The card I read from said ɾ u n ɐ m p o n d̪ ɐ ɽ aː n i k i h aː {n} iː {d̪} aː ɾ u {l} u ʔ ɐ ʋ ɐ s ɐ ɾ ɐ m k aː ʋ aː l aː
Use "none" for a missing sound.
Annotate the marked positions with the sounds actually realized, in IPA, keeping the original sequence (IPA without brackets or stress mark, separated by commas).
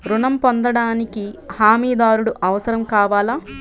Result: m, d̪, ɽ